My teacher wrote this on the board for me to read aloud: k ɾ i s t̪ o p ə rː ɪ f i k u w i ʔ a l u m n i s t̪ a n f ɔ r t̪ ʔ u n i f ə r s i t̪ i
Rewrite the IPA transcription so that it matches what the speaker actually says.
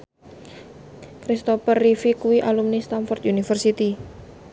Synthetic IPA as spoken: k ɾ i s t̪ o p ə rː i f i k u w i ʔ a l u m n i s t̪ a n f ɔ r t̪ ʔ u n i f ə r s i t̪ i